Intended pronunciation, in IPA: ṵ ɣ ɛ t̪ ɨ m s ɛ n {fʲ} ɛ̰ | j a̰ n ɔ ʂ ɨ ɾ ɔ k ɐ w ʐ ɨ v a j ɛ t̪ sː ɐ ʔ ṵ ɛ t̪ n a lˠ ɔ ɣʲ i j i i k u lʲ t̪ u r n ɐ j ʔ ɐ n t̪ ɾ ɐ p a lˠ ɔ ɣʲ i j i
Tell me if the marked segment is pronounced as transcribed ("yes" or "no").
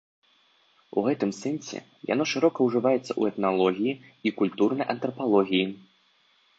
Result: no